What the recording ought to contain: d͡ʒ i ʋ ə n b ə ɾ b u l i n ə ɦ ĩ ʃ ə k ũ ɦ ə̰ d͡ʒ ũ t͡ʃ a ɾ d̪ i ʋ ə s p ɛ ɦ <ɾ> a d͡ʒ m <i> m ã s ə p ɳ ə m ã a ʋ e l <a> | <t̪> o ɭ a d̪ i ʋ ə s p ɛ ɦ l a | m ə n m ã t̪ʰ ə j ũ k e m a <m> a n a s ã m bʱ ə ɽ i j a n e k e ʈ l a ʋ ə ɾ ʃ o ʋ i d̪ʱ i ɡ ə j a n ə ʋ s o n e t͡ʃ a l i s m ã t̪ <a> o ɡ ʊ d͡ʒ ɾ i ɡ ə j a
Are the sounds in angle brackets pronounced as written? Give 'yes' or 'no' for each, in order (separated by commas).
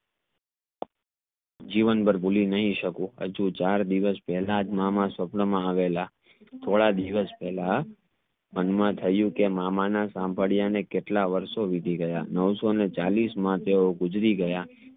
no, no, yes, no, yes, no